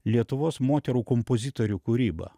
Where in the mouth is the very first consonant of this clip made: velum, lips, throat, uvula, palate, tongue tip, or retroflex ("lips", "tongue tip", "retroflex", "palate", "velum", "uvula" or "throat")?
tongue tip